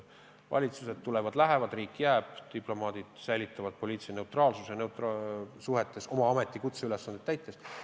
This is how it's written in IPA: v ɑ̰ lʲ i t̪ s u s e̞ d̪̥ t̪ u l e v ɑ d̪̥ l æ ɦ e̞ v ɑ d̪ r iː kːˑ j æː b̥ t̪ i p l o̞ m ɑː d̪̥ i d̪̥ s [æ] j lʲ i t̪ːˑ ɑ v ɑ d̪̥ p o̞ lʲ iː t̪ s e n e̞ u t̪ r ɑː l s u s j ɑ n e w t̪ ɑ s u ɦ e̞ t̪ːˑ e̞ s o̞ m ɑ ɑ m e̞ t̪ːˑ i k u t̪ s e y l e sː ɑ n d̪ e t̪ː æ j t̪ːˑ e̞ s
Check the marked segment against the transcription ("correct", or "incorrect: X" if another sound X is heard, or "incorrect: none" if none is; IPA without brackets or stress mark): correct